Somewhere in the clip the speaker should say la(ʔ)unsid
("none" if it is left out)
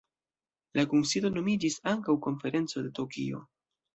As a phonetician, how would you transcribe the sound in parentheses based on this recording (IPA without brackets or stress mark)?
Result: k